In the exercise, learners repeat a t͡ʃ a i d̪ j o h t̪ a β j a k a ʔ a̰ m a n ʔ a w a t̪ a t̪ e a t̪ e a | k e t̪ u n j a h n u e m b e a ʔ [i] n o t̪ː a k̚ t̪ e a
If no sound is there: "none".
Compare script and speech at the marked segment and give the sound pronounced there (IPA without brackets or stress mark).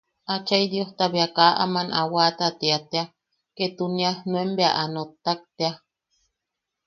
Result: a